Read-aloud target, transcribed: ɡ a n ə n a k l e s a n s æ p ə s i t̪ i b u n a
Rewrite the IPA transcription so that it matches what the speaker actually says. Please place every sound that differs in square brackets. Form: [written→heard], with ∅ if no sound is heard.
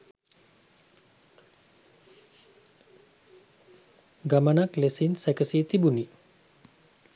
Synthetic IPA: ɡ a [n→m] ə n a k l e s [a→i] n s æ [p→k] ə s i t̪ i b u n [a→i]